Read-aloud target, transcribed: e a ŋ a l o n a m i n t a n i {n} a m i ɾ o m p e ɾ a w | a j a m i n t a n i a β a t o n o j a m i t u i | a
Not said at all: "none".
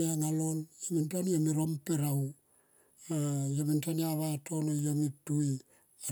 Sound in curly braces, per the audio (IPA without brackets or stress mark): none